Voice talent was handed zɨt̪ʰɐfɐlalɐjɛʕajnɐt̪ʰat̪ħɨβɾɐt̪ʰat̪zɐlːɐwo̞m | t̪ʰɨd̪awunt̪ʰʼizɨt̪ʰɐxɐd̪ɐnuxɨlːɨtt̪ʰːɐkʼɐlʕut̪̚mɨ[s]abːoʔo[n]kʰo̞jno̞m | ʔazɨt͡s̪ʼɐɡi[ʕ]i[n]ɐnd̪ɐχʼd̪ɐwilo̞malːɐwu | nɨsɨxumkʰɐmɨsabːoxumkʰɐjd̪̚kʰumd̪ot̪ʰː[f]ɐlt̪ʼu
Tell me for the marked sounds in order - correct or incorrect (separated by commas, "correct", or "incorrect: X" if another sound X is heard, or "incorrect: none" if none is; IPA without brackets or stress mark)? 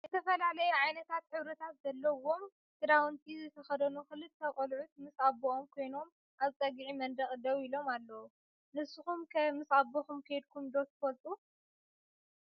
correct, incorrect: m, correct, incorrect: m, correct